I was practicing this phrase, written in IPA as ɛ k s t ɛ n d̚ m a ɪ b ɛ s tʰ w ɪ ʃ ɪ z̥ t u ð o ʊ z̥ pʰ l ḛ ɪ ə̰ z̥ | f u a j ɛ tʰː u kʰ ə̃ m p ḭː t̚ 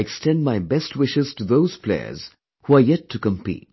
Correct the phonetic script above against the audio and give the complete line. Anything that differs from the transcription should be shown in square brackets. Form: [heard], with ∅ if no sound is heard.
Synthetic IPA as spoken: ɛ k s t [ɛ̃] n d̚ m a ɪ b ɛ s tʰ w ɪ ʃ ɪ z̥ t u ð o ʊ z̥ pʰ l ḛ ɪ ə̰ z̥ | [h] u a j ɛ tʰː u [k] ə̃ m p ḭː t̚

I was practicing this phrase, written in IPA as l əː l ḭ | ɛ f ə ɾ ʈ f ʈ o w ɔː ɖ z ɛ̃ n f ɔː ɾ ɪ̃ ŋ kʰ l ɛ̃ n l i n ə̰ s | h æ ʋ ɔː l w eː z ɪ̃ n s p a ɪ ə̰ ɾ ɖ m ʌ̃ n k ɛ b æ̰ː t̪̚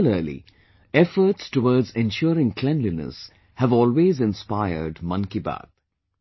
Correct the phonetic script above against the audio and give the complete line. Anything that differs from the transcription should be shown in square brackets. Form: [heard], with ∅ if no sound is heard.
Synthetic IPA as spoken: l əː l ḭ | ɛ f ə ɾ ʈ [s] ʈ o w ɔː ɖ z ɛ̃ n [ʃ] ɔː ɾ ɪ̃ ŋ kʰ l ɛ̃ n l i n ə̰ s | h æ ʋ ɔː l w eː z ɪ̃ n s p a ɪ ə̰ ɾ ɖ m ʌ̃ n k [i] b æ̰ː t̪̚

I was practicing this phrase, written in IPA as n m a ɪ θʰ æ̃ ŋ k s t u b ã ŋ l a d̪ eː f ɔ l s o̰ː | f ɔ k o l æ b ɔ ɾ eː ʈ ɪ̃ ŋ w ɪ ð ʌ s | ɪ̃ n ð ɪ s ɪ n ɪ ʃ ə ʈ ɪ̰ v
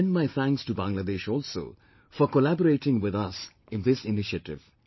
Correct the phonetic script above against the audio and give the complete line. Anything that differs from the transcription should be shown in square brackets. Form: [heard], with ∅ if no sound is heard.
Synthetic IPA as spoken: n m a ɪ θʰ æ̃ ŋ k s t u b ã ŋ l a d̪ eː [ʃ] ɔ l s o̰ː | f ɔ k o l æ b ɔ ɾ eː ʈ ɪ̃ ŋ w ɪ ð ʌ s | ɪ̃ n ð ɪ s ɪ n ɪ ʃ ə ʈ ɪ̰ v

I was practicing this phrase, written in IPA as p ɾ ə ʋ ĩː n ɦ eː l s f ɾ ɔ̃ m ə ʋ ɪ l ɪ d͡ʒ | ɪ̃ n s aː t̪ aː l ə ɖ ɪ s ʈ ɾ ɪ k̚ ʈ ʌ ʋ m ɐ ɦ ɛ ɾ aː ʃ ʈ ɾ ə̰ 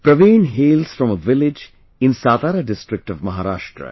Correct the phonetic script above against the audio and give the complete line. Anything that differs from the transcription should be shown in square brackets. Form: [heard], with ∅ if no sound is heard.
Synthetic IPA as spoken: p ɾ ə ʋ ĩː n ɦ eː l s f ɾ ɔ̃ m ə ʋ ɪ l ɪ d͡ʒ | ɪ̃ n s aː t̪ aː [ɾ] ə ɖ ɪ s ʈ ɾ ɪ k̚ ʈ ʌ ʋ m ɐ ɦ [a] ɾ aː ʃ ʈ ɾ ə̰

